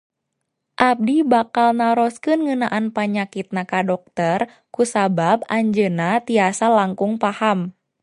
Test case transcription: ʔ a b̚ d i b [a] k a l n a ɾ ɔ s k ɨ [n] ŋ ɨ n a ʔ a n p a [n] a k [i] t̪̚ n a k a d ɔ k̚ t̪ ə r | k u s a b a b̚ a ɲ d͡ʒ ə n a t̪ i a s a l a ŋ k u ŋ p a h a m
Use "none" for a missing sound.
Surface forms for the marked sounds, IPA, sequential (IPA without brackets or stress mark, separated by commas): a, n, ɲ, i